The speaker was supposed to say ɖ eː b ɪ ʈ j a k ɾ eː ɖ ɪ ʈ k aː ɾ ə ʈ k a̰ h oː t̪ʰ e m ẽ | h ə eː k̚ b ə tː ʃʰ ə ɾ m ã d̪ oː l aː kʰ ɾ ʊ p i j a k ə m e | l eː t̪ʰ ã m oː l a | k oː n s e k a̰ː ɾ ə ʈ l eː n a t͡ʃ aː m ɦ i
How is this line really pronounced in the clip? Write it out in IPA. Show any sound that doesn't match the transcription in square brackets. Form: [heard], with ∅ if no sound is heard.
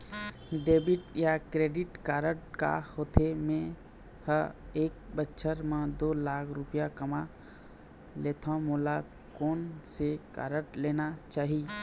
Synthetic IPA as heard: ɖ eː b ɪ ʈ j a k ɾ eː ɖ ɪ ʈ k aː ɾ ə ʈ k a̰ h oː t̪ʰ e m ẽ | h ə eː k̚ b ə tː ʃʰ ə ɾ m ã d̪ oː l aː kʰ ɾ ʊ p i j a k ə m [a] | l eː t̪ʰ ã m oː l a | k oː n s e k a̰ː ɾ ə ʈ l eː n a t͡ʃ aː [∅] ɦ i

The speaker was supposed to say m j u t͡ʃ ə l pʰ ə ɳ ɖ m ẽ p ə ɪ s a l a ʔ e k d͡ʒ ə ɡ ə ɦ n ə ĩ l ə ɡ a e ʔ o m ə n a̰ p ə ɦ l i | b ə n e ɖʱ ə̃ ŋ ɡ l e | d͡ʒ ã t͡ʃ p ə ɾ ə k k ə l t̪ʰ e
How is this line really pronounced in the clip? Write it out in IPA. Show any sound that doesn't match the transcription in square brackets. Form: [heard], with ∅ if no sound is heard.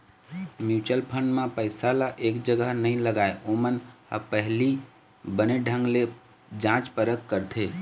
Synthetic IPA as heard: m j u t͡ʃ ə l pʰ ə ɳ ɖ m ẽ p ə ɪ s a l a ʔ e k d͡ʒ ə ɡ ə ɦ n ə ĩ l ə ɡ a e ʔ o m ə n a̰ p ə ɦ l i | b ə n e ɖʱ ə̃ ŋ ɡ l e | d͡ʒ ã t͡ʃ p ə ɾ ə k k ə [ɾ] t̪ʰ e

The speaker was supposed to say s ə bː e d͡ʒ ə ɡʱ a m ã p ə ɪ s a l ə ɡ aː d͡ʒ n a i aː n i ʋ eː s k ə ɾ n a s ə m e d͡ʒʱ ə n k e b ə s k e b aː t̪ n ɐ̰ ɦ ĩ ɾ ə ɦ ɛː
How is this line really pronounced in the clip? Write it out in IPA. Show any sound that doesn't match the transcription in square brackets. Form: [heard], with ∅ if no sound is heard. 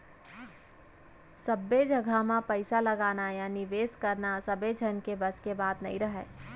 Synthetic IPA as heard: s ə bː e d͡ʒ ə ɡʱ a m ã p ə ɪ s a l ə ɡ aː [∅] n a [j] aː n i ʋ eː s k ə ɾ n a s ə [b] e d͡ʒʱ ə n k e b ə s k e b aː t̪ n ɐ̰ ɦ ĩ ɾ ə ɦ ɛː

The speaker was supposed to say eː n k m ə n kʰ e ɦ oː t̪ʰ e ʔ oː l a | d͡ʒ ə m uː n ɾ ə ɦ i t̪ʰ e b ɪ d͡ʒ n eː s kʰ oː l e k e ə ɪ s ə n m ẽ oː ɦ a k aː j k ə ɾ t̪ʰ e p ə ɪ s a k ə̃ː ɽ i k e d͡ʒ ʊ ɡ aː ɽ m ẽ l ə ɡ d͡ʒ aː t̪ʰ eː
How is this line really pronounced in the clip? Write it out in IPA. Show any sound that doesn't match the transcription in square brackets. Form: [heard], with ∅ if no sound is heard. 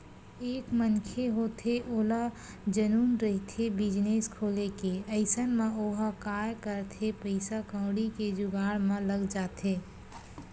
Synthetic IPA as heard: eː [∅] k m ə n kʰ e ɦ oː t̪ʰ e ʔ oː l a | d͡ʒ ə [n] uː n ɾ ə ɦ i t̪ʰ e b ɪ d͡ʒ n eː s kʰ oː l e k e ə ɪ s ə n m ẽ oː ɦ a k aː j k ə ɾ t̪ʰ e p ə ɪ s a k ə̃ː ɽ i k e d͡ʒ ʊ ɡ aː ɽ m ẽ l ə ɡ d͡ʒ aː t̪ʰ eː

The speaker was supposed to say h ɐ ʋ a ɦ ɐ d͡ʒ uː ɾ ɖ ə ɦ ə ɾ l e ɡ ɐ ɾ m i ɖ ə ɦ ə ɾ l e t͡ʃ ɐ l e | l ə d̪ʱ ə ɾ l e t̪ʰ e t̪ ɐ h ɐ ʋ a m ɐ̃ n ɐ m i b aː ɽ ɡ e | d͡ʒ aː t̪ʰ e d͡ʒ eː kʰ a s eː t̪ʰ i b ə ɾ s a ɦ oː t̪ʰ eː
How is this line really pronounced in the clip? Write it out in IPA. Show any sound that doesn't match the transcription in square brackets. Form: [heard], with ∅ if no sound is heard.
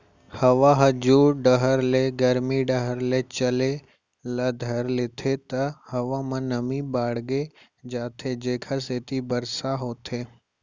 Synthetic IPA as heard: h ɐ ʋ a ɦ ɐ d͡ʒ uː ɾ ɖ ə ɦ ə ɾ l e ɡ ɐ ɾ m i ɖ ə ɦ ə ɾ l e t͡ʃ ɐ l e | l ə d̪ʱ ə ɾ l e t̪ʰ e t̪ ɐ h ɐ ʋ a m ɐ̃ n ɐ m i b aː ɽ ɡ e | d͡ʒ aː t̪ʰ e d͡ʒ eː kʰ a s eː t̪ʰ i b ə ɾ s a ɦ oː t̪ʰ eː

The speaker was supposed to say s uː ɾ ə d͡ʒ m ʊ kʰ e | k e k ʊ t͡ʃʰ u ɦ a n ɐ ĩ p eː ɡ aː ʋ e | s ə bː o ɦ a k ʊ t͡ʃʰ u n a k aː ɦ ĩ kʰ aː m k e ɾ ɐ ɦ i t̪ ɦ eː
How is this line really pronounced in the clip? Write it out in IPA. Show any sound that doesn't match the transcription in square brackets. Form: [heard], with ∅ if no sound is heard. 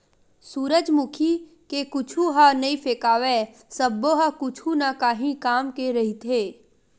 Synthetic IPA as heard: s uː ɾ ə d͡ʒ m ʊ kʰ [i] | k e k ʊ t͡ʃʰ u ɦ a n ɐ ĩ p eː [k] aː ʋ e | s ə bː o ɦ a k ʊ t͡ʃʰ u n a k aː ɦ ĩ [k] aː m k e ɾ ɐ ɦ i t̪ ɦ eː

